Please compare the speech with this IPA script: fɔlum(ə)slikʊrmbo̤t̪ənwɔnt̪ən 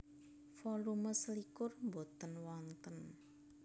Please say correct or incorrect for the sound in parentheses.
correct